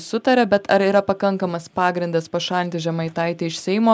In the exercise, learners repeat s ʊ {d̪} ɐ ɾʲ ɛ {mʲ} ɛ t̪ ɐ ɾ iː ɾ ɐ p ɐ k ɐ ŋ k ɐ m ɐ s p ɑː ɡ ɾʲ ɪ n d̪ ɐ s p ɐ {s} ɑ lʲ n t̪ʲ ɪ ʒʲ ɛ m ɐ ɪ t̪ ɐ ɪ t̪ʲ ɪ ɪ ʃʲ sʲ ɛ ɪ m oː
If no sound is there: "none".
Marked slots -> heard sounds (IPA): t̪, bʲ, ʃ

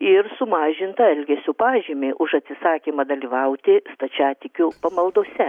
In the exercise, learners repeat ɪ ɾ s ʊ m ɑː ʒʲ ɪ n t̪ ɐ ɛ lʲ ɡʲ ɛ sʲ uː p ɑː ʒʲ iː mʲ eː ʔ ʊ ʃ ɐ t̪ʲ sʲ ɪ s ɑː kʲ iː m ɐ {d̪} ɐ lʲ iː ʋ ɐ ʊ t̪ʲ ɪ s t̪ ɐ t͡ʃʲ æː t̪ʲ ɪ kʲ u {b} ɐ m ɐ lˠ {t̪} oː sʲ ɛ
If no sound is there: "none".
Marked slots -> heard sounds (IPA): d̪, p, d̪

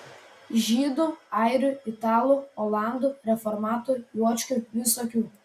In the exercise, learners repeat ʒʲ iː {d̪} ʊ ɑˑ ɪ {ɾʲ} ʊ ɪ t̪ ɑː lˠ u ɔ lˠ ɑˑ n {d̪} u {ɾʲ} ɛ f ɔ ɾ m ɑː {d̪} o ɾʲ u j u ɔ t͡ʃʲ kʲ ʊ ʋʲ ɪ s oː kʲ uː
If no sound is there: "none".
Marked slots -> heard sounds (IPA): d̪, ɾʲ, d̪, ɾʲ, t̪

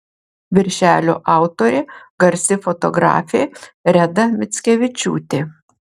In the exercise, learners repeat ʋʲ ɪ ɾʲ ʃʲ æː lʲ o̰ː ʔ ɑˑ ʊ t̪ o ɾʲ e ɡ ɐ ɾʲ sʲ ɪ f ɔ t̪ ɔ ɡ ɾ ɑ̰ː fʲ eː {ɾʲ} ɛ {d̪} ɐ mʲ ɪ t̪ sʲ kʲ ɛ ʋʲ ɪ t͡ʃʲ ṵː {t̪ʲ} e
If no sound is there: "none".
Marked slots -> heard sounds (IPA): ɾʲ, d̪, t̪ʲ

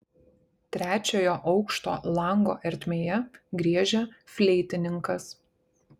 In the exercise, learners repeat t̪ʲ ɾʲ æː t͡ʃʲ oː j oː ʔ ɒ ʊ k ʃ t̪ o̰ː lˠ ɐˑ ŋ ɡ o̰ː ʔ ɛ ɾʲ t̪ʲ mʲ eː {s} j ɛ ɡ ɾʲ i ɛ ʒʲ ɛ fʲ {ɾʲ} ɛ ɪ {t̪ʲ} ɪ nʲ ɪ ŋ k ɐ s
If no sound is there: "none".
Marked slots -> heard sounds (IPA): none, lʲ, t̪ʲ

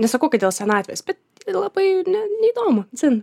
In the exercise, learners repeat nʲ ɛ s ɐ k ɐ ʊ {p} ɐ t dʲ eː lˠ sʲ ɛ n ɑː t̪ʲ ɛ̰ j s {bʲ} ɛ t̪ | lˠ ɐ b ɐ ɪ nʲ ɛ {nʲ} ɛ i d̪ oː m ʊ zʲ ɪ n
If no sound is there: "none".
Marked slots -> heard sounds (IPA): k, bʲ, nʲ

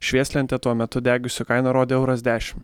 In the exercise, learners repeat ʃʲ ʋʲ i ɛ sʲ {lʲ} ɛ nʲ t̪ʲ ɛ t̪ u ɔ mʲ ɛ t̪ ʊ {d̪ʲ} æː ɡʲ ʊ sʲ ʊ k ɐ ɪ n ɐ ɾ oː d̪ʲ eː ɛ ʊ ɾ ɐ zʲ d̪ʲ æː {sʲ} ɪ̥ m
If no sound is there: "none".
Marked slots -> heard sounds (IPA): lʲ, d̪ʲ, ʃʲ

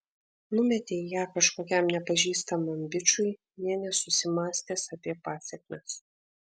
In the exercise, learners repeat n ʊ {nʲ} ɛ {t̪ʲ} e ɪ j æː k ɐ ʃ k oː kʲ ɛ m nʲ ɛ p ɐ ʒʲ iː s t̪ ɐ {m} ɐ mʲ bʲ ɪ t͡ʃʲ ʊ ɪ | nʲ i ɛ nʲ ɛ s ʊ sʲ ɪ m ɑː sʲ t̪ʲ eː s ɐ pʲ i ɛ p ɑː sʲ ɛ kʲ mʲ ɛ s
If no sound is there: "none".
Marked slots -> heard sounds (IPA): mʲ, t̪ʲ, m

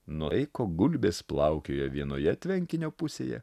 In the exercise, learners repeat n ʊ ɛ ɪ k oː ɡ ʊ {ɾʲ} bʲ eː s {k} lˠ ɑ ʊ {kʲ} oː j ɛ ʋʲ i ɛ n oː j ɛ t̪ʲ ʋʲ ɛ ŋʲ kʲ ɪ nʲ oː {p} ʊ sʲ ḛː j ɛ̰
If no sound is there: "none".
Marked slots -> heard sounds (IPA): lʲ, p, kʲ, p

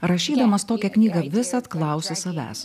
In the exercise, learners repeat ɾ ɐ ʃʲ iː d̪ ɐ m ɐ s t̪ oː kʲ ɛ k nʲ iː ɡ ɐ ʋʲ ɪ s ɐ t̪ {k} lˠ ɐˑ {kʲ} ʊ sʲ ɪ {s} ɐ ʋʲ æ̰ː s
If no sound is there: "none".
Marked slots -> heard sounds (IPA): k, none, s

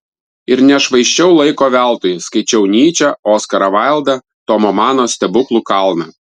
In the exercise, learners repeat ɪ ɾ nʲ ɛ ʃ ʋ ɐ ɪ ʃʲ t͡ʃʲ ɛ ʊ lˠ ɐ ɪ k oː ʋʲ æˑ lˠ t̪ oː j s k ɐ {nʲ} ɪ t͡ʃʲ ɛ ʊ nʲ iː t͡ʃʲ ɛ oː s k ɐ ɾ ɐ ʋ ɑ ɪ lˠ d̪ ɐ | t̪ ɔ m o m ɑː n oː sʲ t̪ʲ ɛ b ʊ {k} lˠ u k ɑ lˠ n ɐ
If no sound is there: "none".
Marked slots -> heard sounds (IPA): none, k

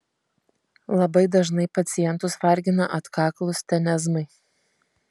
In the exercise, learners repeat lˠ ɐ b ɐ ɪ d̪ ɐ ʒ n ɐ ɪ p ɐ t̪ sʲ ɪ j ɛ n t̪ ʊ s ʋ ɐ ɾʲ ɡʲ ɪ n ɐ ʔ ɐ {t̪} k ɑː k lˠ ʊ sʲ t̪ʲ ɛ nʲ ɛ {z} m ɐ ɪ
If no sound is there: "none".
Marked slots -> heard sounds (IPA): t̪, z

